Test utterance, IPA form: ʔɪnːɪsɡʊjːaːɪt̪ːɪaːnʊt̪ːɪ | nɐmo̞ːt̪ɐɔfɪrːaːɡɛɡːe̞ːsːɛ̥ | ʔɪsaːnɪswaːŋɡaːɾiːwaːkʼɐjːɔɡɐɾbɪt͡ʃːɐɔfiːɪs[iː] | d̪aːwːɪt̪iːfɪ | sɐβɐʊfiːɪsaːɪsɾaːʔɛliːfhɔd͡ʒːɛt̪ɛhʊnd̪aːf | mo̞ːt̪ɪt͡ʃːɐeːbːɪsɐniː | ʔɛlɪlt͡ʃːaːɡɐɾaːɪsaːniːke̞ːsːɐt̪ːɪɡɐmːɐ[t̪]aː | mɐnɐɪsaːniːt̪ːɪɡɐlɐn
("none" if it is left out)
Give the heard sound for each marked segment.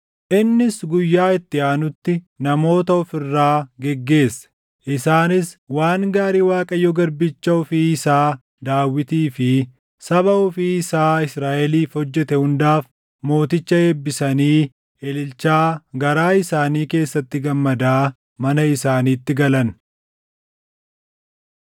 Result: aː, d̪

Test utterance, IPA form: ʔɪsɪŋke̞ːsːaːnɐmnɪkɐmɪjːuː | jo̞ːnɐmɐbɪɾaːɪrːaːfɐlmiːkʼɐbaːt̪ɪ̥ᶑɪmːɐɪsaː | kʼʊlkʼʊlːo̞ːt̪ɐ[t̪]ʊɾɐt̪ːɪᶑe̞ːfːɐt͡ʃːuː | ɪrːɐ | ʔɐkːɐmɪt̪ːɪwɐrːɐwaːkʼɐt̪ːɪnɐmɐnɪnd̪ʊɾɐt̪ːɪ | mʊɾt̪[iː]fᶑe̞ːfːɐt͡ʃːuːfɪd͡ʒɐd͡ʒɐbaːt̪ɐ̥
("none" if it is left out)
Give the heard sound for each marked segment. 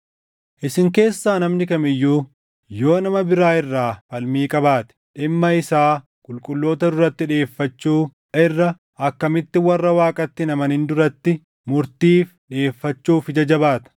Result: d̪, iː

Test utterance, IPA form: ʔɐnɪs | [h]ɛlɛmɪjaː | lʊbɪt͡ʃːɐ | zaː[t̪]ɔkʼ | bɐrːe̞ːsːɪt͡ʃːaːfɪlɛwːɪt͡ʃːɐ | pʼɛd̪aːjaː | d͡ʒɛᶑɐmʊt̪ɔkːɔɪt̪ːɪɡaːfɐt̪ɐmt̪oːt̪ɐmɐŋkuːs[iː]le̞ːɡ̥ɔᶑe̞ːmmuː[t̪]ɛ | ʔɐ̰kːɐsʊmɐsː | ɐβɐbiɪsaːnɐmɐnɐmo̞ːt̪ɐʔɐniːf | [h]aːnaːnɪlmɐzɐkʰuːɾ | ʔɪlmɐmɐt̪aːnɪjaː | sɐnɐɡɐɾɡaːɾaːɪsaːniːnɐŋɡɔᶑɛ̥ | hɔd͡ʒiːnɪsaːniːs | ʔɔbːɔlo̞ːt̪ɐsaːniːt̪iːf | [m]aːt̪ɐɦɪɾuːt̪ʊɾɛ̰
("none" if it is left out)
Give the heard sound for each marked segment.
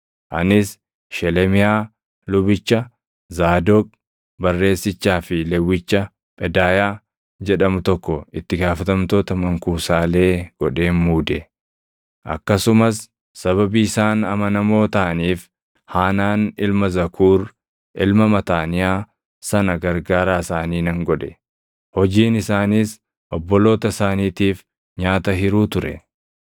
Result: ʃ, d̪, aː, d̪, h, ɲ

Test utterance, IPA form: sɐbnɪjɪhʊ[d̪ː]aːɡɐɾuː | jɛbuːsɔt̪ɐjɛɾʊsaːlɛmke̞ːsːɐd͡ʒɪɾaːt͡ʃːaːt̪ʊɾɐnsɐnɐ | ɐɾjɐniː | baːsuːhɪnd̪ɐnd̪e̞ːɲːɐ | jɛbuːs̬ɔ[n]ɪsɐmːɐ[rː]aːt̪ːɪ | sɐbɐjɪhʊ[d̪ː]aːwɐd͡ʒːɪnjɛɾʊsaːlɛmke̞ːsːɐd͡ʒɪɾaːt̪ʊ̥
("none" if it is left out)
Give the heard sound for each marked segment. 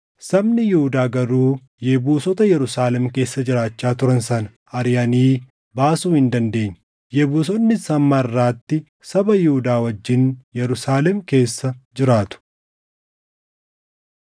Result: d̪, nː, rː, d̪

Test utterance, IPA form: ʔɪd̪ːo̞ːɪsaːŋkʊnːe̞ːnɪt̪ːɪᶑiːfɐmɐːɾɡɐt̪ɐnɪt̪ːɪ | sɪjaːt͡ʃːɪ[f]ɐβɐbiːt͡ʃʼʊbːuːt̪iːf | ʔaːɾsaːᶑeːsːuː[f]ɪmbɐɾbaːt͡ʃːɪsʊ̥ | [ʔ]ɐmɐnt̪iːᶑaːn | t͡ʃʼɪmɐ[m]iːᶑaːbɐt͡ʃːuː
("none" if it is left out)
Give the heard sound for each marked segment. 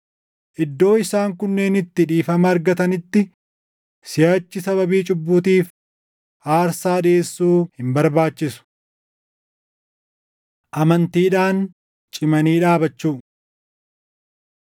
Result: s, h, ʔ, n

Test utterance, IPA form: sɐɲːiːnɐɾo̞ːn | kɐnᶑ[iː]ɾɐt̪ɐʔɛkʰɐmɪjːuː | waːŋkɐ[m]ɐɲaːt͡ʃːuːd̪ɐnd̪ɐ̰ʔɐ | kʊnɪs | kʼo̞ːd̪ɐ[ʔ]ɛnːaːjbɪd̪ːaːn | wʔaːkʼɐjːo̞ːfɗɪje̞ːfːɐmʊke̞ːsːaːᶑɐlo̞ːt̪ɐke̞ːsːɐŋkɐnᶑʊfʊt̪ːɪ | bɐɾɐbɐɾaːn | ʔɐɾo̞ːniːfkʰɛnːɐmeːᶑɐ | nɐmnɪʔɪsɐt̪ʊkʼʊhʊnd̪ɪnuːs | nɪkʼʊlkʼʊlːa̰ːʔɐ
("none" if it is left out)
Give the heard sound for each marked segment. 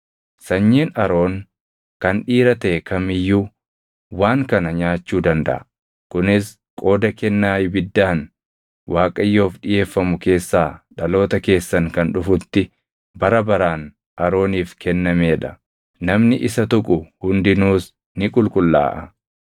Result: iː, n, k

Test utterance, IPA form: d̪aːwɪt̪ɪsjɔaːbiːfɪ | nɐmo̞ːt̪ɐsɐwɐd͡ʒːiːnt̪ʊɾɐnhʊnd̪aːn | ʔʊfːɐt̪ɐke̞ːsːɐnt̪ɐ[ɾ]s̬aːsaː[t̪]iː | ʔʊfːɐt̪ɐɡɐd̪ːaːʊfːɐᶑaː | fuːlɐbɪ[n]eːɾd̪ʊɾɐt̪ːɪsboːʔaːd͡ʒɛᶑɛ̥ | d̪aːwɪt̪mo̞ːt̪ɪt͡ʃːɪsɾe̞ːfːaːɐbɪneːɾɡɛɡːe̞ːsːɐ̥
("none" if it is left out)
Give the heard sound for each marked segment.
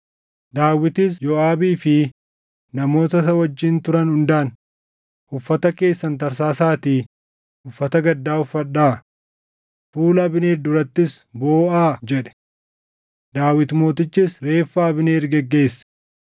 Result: ɾ, t̪, n

